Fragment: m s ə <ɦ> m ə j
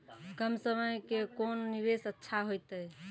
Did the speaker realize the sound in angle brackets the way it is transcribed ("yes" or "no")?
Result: no